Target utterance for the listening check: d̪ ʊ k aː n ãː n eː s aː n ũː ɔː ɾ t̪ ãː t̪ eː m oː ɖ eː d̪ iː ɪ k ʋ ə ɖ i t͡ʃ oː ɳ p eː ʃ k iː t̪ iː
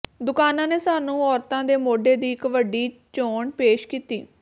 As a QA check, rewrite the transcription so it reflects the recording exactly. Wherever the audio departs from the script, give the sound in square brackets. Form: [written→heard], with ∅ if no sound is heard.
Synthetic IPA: d̪ ʊ k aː n ãː n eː s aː n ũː ɔː ɾ t̪ ãː [t̪→d̪] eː m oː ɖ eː d̪ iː ɪ k ʋ ə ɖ [i→iː] t͡ʃ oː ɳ p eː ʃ k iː t̪ iː